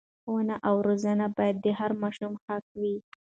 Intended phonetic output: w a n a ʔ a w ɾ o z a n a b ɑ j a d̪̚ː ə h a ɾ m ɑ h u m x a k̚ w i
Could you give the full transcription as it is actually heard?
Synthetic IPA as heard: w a n a ʔ a w ɾ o z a n a b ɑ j a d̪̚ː ə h a ɾ m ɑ ʃ u m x a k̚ w i